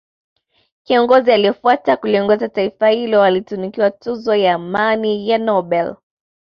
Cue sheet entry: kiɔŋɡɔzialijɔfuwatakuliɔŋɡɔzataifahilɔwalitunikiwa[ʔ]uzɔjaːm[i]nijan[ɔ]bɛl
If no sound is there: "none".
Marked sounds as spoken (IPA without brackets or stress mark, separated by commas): t, a, ɔ